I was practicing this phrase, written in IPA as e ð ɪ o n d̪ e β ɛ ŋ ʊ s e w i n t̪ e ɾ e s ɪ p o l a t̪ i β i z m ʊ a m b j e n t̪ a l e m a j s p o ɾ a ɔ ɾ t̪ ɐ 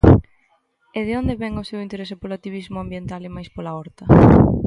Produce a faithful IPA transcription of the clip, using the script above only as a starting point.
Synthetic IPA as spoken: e ð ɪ o n d̪ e β ɛ ŋ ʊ s e w i n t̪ e ɾ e s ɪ p o l a t̪ i β i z m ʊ a m b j e n t̪ a l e m a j s p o l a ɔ ɾ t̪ ɐ